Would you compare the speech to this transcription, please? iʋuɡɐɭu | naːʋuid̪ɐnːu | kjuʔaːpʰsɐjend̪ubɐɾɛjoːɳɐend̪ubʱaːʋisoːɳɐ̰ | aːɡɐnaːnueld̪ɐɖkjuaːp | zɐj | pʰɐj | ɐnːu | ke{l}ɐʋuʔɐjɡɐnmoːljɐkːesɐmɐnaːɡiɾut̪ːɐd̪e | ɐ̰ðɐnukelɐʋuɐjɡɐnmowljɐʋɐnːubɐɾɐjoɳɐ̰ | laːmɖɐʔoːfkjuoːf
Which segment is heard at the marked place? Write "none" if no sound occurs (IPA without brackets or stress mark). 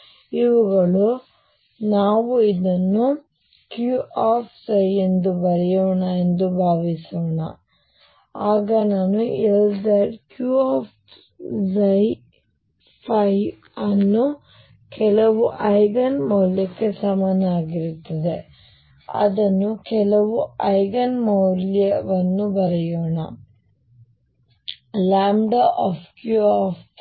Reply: l